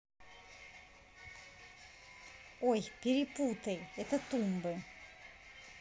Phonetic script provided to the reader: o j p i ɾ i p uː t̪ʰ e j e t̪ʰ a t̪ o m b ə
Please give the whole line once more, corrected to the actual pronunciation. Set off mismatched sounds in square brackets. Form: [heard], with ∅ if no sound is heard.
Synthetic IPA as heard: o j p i ɾ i p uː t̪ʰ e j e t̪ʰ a t̪ [u] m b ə